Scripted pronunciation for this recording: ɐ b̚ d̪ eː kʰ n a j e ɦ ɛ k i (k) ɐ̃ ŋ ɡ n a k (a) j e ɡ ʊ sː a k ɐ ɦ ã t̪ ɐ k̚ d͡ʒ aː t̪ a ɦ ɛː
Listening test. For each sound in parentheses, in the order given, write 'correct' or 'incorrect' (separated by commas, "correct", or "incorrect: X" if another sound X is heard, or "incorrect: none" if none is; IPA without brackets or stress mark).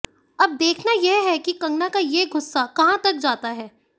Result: correct, correct